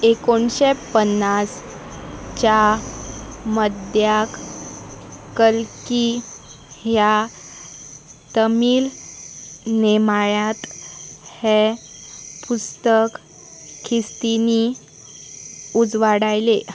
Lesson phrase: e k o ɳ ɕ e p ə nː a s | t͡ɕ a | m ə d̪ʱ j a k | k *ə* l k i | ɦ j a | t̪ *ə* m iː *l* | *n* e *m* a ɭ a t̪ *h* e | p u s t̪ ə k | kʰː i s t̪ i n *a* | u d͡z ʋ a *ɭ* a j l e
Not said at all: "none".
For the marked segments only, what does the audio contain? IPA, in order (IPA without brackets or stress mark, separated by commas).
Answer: ə, ə, l, n, m, h, i, ɽ